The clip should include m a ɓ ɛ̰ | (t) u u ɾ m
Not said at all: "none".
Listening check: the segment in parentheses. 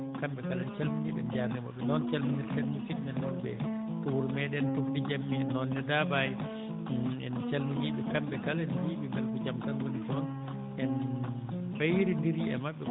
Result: t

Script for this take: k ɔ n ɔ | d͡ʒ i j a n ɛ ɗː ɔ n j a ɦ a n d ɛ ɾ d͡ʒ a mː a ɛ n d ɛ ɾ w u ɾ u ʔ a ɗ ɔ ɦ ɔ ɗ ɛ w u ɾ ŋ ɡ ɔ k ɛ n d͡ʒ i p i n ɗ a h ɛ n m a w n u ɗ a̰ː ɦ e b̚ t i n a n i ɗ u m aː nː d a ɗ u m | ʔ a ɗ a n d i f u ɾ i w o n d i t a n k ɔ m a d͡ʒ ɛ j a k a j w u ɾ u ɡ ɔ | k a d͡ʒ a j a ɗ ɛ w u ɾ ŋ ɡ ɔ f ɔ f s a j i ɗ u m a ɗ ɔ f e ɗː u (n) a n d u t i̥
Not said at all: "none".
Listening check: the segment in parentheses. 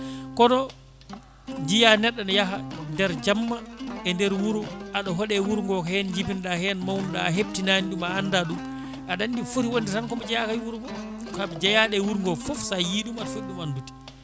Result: m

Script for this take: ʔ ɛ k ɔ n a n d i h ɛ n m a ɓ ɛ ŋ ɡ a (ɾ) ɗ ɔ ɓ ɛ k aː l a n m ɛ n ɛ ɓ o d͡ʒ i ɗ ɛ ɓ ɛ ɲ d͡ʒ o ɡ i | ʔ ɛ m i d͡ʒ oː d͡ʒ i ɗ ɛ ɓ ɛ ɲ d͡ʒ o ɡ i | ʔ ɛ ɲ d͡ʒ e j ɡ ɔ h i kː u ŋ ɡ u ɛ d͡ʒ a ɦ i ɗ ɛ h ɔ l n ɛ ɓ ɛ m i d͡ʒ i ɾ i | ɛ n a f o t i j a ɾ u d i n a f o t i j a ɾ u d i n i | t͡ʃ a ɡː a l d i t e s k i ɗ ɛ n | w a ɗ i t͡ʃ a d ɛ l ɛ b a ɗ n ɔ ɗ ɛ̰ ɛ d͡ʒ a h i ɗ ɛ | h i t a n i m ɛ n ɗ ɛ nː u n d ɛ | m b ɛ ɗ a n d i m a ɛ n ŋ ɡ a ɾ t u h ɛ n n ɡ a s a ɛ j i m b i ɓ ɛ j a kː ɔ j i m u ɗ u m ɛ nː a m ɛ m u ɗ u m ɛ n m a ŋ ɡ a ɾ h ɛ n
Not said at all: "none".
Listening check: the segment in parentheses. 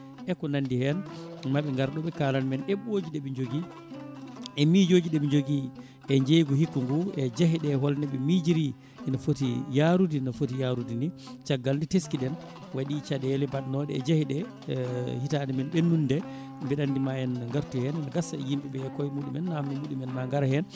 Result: ɾ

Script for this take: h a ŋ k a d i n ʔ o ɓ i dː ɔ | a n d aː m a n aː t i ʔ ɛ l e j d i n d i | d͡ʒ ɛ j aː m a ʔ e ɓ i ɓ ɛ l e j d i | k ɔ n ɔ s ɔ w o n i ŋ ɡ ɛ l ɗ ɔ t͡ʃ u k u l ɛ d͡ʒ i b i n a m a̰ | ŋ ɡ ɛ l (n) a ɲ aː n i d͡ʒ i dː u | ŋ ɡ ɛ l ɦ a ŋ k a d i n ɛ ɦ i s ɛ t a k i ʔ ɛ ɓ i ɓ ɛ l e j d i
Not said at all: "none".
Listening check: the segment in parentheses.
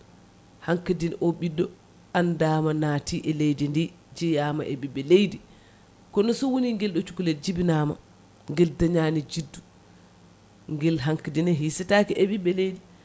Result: d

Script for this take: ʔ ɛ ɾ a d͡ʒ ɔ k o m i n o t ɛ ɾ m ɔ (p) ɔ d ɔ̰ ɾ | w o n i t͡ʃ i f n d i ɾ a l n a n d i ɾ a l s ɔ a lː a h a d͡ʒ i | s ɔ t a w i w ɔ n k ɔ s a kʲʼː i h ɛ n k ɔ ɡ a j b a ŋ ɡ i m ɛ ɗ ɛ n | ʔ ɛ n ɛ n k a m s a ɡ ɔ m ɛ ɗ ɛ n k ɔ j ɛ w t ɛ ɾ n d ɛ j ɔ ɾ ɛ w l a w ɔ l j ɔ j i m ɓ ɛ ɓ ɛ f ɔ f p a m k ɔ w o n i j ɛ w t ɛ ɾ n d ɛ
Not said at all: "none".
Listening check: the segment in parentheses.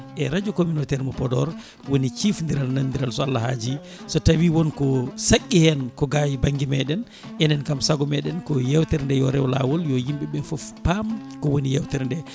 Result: p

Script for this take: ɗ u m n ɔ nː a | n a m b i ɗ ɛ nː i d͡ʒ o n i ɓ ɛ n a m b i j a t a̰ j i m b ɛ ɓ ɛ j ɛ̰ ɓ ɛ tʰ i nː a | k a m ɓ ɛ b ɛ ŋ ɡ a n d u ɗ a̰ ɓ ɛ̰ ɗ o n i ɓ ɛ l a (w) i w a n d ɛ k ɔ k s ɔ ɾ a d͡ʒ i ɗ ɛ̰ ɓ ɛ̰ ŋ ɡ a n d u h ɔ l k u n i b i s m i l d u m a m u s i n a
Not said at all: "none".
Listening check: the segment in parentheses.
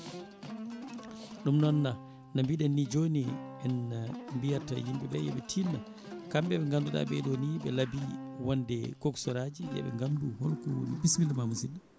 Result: b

